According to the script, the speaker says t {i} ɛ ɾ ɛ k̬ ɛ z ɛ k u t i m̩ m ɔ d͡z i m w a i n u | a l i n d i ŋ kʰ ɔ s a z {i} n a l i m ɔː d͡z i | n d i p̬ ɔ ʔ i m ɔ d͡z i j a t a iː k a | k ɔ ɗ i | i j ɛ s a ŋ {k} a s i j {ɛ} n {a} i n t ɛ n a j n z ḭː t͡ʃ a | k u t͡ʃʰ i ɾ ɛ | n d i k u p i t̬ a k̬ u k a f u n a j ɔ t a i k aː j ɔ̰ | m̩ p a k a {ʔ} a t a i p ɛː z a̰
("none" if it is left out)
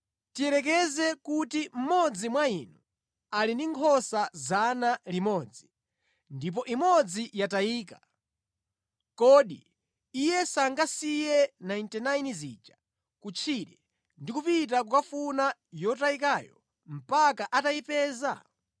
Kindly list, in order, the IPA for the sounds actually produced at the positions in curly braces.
i, a, ɡ, ɛ, a, ʔ

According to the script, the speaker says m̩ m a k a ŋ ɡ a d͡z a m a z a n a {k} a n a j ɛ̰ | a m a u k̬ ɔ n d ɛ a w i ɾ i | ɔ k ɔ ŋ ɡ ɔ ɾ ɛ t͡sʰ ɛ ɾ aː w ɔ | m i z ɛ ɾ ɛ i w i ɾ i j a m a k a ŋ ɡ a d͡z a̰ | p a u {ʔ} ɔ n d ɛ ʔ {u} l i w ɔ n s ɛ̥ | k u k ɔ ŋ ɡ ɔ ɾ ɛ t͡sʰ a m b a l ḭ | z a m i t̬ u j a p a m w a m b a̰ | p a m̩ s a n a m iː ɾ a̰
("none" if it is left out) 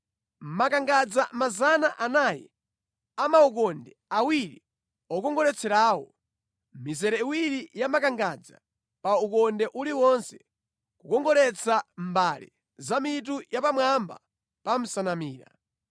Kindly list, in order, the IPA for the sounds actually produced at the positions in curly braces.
ʔ, k, u

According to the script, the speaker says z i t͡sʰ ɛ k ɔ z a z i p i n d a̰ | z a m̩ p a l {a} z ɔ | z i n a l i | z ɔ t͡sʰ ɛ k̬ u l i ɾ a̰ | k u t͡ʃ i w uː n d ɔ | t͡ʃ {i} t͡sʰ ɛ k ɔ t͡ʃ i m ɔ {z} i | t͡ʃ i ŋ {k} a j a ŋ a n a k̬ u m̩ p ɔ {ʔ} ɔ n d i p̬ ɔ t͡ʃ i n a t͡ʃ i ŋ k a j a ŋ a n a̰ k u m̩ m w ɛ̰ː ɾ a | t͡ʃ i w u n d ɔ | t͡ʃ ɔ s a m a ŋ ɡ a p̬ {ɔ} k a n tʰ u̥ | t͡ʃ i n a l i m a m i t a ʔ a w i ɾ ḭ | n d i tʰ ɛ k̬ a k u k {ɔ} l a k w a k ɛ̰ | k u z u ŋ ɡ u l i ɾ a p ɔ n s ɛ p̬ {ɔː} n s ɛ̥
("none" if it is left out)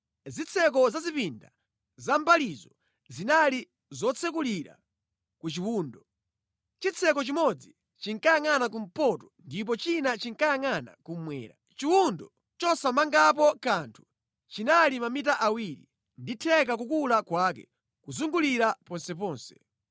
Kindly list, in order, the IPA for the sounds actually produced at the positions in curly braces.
i, i, d͡z, k, t, ɔ, u, ɔː

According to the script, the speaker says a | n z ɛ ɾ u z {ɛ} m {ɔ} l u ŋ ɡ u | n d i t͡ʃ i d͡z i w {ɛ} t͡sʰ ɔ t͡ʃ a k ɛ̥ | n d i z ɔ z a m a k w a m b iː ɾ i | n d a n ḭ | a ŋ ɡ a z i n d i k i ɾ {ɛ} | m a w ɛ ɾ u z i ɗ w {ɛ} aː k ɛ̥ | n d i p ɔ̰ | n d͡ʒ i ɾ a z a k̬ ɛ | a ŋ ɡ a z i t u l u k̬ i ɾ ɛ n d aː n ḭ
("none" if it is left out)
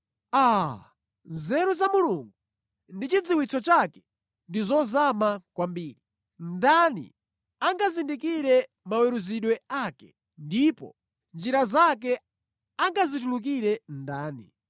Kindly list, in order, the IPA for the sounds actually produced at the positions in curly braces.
a, u, i, ɛ, ɛ

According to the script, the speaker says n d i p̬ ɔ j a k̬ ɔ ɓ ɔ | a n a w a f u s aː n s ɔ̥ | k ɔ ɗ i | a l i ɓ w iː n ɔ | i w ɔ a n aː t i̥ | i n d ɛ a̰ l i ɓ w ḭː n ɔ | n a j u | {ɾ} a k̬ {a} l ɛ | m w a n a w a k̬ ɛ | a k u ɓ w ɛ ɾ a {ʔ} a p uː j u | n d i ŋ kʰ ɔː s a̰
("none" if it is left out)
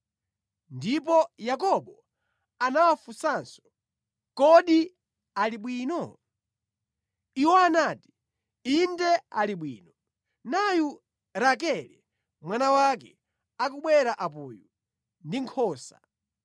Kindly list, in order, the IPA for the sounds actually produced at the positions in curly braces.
ɾ, ɛ, ʔ

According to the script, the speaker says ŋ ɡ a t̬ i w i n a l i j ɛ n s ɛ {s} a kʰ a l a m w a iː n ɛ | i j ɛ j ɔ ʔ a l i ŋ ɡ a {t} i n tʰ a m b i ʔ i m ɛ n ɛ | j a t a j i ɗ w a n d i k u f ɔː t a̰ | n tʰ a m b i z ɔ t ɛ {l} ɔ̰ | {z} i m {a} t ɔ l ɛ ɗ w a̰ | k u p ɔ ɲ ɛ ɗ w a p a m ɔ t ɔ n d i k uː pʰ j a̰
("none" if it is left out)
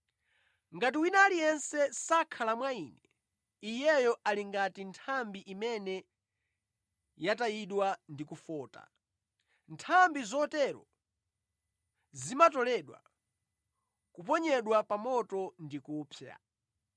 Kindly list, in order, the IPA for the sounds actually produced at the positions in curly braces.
s, t, ɾ, z, a

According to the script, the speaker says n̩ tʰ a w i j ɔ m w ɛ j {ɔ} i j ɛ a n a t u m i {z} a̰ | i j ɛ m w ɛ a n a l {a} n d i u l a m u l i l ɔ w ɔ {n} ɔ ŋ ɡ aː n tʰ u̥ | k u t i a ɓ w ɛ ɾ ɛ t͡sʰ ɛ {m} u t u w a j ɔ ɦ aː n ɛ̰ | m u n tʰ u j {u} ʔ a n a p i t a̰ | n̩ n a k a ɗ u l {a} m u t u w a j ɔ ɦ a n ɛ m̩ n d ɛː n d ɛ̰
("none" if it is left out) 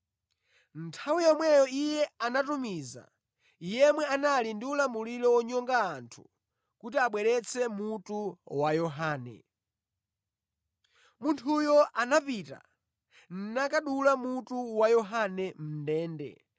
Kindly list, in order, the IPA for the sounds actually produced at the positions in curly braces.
ɔ, z, i, ɲ, m, ɔ, a

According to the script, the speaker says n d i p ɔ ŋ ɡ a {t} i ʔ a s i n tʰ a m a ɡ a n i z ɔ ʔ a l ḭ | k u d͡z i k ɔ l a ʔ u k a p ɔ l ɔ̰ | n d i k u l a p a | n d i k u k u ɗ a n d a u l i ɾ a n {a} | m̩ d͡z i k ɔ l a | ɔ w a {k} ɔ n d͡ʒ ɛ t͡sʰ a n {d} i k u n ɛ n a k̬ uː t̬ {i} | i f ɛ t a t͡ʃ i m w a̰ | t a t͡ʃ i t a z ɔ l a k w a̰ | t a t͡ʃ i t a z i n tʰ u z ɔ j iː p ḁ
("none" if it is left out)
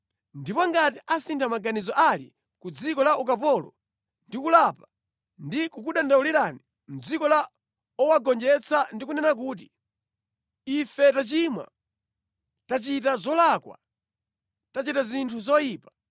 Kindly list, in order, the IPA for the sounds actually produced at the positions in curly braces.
t, i, ɡ, d, i

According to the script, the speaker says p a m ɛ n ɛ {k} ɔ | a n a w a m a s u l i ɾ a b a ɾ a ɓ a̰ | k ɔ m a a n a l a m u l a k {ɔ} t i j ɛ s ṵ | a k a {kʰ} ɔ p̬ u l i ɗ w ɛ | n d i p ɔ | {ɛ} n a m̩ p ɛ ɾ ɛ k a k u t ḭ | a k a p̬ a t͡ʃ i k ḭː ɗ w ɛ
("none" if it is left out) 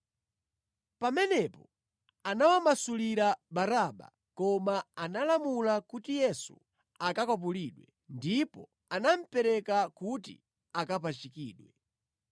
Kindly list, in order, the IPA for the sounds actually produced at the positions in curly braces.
p, u, k, a

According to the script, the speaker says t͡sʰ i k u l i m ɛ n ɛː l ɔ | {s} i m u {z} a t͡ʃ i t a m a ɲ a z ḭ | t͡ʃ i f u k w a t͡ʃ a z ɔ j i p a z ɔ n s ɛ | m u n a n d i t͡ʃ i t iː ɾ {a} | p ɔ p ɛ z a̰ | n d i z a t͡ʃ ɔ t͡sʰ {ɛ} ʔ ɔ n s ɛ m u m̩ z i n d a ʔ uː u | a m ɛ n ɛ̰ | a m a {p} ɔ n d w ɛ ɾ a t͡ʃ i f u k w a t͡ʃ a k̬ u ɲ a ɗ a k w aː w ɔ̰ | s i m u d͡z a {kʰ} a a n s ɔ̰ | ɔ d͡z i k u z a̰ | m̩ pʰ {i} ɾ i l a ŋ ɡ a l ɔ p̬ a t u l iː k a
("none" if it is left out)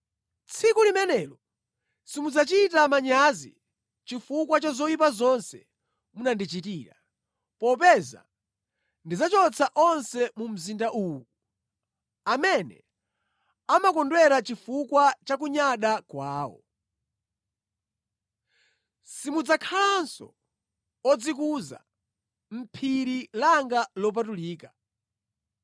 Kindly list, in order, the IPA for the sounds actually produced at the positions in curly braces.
s, d͡z, a, a, k, kʰ, i

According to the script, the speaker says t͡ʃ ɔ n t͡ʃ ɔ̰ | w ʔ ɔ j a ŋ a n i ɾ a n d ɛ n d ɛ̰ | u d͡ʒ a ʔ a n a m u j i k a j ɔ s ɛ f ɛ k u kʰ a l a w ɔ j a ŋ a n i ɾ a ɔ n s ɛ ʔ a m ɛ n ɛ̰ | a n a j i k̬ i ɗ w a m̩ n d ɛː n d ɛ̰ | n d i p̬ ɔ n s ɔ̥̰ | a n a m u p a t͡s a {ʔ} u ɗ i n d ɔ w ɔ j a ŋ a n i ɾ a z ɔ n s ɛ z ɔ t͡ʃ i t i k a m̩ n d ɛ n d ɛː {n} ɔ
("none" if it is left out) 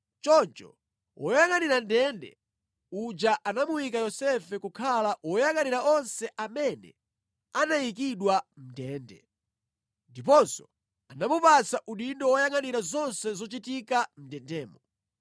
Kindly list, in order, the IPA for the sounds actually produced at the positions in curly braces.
ʔ, m

